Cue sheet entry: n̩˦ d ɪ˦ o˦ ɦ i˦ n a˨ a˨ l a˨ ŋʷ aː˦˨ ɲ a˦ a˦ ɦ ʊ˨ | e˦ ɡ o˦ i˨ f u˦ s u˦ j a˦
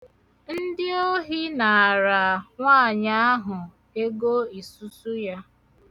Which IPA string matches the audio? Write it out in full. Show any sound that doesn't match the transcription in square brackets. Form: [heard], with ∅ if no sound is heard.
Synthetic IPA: n̩˦ d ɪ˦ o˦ ɦ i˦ n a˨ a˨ [ɾ] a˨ ŋʷ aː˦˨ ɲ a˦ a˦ ɦ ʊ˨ | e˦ ɡ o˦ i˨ [s] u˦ s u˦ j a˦